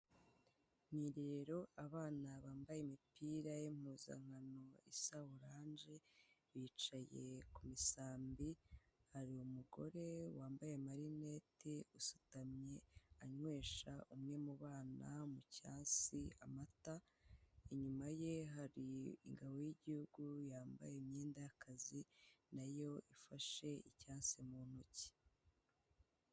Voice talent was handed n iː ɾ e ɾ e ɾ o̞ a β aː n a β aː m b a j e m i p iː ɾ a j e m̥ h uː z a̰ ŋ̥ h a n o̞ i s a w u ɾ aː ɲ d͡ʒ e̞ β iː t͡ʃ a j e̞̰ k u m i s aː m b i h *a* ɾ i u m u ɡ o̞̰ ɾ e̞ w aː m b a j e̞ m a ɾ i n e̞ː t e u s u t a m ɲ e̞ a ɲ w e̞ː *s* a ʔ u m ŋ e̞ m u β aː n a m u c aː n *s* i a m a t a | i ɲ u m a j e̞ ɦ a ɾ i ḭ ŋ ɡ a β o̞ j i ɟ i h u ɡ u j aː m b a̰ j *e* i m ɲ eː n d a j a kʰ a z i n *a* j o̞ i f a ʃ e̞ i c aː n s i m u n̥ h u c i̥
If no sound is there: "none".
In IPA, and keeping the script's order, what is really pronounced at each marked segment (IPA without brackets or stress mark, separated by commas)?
a, ʃ, s, e, a